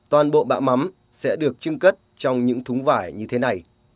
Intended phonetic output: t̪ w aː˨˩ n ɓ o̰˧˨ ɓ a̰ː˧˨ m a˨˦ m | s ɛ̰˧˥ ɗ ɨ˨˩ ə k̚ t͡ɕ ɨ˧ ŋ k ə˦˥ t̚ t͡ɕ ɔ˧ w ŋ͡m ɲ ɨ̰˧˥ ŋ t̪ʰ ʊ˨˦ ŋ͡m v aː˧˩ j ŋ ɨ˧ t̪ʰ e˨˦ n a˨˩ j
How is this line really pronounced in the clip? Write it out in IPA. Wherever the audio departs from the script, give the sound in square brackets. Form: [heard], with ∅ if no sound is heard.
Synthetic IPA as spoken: t̪ w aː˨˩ n ɓ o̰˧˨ ɓ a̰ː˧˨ m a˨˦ m | s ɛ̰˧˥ ɗ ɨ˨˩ ə k̚ t͡ɕ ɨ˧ ŋ k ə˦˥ t̚ t͡ɕ ɔ˧ w ŋ͡m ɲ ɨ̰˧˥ ŋ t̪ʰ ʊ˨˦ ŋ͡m v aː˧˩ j [ɲ] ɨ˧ t̪ʰ e˨˦ n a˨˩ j